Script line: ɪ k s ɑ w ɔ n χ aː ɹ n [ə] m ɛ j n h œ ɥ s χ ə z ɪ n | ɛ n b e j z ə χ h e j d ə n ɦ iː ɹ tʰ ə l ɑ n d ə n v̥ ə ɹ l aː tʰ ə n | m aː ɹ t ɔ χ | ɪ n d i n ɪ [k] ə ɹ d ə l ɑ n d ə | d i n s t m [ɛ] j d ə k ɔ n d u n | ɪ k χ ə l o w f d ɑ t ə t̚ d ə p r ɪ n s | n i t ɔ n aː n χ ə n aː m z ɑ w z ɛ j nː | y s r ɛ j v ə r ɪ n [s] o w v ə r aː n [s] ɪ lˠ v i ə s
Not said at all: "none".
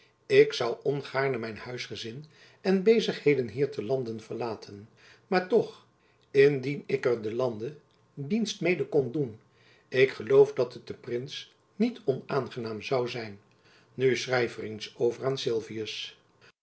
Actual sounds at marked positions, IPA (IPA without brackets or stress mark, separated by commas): ə, k, e, s, s